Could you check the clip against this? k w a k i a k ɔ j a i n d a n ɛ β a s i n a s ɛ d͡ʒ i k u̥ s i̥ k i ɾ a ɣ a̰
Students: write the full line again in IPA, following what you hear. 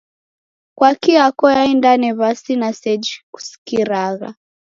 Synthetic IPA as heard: k w a k i a k ɔ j a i n d a n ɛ β a s i n a s ɛ d͡ʒ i k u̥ s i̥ k i ɾ a ɣ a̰